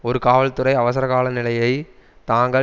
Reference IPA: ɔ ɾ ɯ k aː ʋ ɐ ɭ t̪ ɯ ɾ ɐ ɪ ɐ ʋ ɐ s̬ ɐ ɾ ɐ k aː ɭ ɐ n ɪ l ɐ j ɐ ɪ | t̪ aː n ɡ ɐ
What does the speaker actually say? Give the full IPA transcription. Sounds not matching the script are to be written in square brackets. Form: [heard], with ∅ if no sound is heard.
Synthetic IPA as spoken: ɔ ɾ ɯ k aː ʋ ɐ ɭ t̪ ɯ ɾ ɐ ɪ ɐ ʋ ɐ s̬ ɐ ɾ ɐ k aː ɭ ɐ n ɪ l ɐ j ɐ ɪ | t̪ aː [ŋ] ɡ ɐ

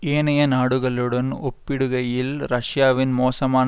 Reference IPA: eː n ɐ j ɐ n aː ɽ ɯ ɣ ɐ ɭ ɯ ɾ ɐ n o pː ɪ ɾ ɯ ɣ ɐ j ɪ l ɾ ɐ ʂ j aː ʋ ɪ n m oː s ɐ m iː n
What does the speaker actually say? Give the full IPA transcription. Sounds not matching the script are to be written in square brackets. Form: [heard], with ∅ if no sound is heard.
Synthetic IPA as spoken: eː n ɐ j ɐ n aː ɽ ɯ ɣ ɐ ɭ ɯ [ɽ] ɐ n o pː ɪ [ɽ] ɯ ɣ ɐ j ɪ l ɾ ɐ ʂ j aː ʋ ɪ n m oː s ɐ m [aː] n

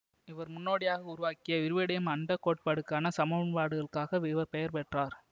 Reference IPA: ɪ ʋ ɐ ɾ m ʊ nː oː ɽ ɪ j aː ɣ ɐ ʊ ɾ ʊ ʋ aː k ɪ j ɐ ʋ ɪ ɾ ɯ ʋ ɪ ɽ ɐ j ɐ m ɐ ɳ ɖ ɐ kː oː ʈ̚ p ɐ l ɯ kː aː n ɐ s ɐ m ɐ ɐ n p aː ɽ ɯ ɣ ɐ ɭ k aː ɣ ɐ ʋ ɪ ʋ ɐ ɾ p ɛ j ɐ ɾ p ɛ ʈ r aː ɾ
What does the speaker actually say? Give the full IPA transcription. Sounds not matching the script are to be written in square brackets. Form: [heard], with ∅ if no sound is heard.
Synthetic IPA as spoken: ɪ ʋ ɐ ɾ m ʊ nː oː ɽ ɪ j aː ɣ ɐ ʊ ɾ ʊ ʋ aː k ɪ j ɐ ʋ ɪ ɾ ɯ ʋ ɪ ɽ ɐ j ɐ m ɐ ɳ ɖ ɐ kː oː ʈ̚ p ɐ [ɽ] ɯ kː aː n ɐ s ɐ m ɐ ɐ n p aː ɽ ɯ ɣ ɐ ɭ k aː ɣ ɐ ʋ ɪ ʋ ɐ ɾ p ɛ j ɐ ɾ p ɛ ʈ r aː ɾ

